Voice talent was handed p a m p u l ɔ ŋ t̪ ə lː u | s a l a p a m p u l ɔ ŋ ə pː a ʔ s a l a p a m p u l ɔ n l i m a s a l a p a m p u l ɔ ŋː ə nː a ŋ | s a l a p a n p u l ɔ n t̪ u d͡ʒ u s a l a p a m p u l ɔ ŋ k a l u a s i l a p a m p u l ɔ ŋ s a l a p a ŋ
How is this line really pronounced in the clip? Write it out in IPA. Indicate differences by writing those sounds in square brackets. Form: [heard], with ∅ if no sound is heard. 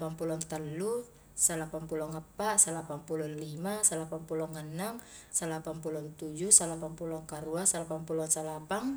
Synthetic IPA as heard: p a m p u l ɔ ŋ t̪ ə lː u | s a l a p a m p u l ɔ ŋ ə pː a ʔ s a l a p a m p u l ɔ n l i m a s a l a p a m p u l ɔ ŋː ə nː a ŋ | s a l a p a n p u l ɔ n t̪ u d͡ʒ u s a l a p a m p u l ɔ ŋ k a [ɾ] u a s [a] l a p a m p u l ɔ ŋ s a l a p a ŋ